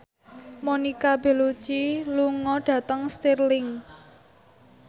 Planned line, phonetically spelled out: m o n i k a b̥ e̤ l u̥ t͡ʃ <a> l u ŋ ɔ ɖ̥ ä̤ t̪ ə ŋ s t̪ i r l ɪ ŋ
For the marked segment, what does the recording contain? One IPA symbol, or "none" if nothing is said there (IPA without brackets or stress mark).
i